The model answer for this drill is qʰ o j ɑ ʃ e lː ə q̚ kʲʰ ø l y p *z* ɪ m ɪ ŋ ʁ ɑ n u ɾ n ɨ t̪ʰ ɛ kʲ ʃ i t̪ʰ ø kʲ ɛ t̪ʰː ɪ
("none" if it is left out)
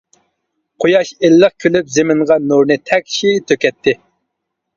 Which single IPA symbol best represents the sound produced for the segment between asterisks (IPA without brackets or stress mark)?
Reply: z